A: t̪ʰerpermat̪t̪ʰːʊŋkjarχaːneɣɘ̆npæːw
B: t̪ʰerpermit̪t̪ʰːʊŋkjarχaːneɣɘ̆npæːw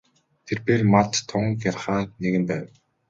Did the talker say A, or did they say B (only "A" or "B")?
A